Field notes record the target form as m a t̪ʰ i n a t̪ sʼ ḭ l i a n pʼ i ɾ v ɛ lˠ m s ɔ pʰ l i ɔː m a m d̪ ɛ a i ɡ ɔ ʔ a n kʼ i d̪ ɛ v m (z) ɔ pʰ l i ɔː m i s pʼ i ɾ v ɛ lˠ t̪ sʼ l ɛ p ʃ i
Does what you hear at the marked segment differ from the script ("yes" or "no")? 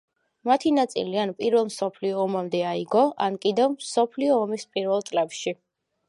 yes